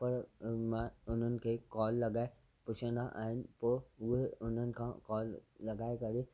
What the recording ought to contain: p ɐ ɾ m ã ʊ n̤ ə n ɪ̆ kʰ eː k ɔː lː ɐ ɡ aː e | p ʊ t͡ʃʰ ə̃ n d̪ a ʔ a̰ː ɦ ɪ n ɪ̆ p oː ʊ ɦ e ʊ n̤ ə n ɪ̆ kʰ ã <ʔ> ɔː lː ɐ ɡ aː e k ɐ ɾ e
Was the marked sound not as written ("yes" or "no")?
yes